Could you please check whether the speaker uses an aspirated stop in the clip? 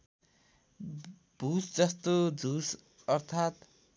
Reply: yes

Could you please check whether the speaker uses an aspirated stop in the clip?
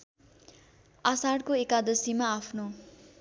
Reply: yes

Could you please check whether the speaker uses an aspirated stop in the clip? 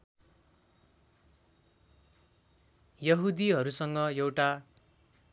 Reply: no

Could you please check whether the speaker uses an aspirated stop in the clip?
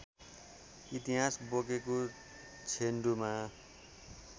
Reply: yes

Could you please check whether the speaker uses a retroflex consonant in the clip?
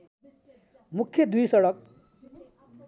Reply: yes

